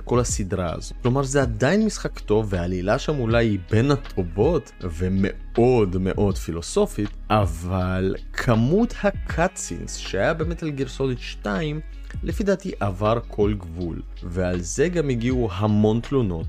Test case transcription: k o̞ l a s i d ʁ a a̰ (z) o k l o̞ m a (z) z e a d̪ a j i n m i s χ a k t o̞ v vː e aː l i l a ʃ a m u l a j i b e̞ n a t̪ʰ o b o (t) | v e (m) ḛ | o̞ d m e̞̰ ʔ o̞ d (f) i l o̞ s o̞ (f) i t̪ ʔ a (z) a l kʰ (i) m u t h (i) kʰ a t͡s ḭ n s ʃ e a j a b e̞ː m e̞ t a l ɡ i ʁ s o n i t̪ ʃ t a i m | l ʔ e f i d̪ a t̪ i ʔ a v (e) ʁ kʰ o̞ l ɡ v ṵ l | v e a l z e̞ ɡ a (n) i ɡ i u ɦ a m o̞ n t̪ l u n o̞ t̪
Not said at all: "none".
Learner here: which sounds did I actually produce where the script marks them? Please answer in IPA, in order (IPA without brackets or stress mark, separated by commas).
z, ʁ, t, m, f, f, v, a, a, a, m